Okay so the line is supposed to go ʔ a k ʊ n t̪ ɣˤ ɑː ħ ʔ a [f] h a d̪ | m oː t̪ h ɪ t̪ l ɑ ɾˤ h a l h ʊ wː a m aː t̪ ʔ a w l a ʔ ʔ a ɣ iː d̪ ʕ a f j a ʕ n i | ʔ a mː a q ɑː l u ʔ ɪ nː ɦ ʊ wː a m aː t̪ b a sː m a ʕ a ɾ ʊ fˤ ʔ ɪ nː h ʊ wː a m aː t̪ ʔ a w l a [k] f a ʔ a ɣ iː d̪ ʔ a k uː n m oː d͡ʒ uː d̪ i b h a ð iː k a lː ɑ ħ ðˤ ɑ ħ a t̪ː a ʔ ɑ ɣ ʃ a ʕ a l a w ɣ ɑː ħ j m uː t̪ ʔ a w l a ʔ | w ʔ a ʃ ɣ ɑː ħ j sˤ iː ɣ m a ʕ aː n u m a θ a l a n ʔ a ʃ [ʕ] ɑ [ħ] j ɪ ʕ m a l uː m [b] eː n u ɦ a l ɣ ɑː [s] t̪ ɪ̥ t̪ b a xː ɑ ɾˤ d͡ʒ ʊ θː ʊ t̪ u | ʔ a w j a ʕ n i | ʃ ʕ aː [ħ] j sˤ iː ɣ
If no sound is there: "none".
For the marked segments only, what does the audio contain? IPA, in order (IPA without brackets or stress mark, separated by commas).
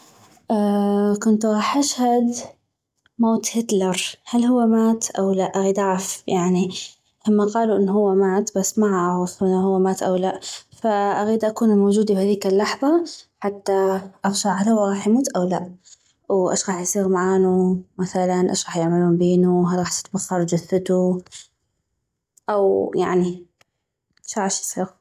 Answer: ʃ, ʔ, ɣ, ħ, b, ħ, ʃ